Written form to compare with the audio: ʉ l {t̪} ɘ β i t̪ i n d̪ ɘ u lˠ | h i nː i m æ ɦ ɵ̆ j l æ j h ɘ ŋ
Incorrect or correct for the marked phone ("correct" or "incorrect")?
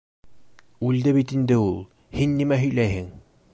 incorrect